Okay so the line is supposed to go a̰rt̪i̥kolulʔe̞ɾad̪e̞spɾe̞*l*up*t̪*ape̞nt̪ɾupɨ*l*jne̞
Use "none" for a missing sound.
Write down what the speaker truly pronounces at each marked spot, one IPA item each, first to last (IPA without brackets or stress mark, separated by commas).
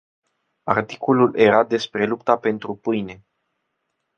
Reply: l, t̪, none